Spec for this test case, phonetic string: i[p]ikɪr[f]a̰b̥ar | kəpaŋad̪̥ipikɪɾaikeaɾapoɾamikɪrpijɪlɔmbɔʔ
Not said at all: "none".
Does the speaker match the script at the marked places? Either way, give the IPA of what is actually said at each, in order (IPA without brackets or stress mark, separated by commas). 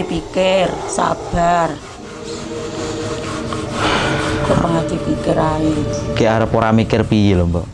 p, s